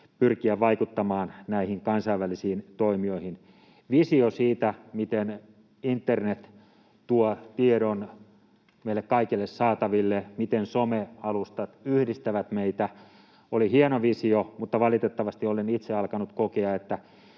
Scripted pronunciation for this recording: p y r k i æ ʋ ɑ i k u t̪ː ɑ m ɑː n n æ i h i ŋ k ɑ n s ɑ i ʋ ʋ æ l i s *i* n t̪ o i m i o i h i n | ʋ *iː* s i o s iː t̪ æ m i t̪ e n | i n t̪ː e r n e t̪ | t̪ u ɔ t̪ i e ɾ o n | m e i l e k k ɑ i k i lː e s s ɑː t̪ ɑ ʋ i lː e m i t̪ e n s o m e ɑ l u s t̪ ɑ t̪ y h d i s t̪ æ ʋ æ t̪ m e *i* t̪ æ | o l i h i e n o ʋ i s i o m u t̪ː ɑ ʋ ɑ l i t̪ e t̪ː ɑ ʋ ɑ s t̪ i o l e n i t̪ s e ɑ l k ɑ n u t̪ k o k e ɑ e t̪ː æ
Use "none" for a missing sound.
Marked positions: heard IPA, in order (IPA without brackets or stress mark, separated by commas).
iː, i, i